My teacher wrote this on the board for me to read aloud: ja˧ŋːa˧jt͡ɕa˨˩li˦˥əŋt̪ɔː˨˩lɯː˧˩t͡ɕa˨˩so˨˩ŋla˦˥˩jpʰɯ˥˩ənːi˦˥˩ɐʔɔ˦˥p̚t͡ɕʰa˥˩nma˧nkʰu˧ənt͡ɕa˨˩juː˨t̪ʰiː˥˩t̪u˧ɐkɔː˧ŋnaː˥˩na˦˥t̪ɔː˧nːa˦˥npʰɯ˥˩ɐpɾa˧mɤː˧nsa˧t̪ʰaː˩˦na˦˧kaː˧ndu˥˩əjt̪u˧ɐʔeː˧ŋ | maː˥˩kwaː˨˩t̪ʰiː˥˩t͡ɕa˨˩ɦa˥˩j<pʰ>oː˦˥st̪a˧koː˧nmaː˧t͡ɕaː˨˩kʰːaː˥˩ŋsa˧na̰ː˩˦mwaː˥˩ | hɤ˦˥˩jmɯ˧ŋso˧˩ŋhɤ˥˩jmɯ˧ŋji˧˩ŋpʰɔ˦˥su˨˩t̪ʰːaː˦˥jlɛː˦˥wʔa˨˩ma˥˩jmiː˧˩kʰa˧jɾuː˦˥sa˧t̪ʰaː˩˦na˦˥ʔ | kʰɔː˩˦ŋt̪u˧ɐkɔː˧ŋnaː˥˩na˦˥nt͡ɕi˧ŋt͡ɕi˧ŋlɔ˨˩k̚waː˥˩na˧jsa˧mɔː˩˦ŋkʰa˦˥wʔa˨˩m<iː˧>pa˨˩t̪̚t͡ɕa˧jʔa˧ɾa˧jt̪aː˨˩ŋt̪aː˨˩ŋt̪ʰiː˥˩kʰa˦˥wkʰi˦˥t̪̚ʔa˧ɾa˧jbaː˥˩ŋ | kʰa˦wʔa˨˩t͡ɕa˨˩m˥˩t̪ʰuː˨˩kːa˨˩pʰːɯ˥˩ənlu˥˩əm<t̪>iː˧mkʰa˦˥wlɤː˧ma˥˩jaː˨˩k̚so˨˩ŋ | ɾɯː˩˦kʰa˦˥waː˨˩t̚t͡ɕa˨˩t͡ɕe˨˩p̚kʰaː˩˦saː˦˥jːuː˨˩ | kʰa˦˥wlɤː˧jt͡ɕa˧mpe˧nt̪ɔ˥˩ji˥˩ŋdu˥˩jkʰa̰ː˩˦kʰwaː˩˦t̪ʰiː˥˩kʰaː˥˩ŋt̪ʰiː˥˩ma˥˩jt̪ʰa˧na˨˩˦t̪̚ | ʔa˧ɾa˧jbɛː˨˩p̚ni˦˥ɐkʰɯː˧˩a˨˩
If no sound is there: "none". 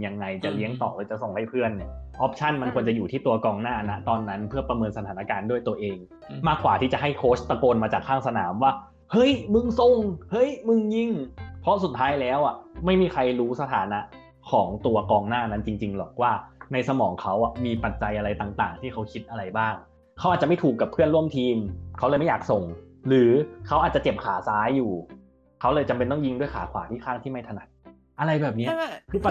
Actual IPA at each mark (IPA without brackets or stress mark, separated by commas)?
kʰ, iː˧, t̪ʰ